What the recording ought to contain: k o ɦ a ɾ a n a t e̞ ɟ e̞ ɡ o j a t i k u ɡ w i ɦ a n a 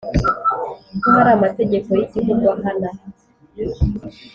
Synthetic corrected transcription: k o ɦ a ɾ a m a t e̞ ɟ e̞ k o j i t i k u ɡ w a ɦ a n a